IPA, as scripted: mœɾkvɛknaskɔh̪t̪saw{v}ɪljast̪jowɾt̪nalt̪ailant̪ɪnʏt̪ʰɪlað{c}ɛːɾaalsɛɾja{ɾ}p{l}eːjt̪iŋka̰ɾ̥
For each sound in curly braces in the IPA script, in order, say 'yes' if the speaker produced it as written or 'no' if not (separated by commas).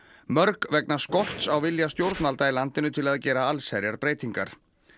yes, yes, yes, no